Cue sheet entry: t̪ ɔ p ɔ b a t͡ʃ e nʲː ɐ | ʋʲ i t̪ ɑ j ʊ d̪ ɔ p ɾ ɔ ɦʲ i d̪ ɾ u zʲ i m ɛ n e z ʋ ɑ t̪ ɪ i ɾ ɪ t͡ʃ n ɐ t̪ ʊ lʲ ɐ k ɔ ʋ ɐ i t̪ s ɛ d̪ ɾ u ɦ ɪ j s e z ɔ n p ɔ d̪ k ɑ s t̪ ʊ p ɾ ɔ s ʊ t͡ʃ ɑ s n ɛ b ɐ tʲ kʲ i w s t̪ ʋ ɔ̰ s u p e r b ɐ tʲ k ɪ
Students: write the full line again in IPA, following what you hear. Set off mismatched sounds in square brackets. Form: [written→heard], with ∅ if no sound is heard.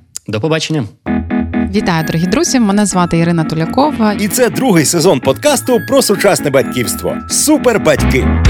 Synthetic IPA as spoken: [t̪→d̪] ɔ p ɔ b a t͡ʃ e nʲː ɐ | ʋʲ i t̪ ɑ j ʊ d̪ ɔ [p→∅] ɾ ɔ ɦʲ i d̪ ɾ u zʲ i m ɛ n [e→ɛ] z ʋ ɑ t̪ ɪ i ɾ ɪ [t͡ʃ→∅] n ɐ t̪ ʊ lʲ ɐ k ɔ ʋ ɐ i t̪ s ɛ d̪ ɾ u ɦ ɪ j s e z ɔ n p ɔ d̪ k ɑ s t̪ ʊ p ɾ ɔ s ʊ t͡ʃ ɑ s n ɛ b ɐ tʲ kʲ i w s t̪ ʋ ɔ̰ s u p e r b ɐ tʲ k ɪ